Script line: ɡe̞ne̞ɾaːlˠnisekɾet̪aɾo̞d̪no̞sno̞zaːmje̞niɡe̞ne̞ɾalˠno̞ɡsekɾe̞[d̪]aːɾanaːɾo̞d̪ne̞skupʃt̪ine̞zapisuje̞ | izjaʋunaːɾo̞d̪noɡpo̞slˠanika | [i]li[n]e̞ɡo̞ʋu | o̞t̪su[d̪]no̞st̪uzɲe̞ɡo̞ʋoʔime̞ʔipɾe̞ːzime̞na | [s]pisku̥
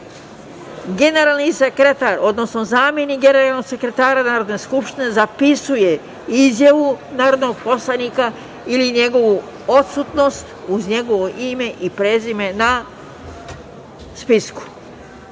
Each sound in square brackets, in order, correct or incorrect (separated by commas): incorrect, correct, incorrect, incorrect, correct